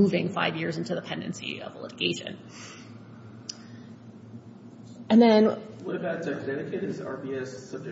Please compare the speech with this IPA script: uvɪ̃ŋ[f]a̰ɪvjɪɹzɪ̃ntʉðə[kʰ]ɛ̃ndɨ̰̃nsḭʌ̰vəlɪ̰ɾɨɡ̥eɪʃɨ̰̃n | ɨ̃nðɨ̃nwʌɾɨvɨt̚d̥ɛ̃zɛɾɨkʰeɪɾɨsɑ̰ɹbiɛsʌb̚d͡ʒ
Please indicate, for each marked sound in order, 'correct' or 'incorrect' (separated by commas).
correct, incorrect